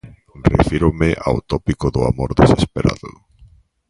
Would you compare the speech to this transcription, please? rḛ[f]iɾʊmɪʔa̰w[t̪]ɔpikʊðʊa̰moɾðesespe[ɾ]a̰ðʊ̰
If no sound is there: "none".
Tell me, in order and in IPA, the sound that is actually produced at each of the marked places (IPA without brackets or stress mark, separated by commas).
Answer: f, t̪, ɾ